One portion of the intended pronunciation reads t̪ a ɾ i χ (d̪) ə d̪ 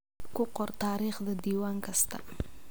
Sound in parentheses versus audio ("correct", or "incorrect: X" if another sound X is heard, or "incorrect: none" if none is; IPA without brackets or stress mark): correct